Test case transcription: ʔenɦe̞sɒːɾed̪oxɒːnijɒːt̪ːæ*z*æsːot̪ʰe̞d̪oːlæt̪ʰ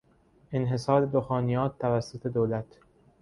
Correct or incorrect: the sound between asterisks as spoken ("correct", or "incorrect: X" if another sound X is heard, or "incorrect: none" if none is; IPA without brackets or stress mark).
incorrect: v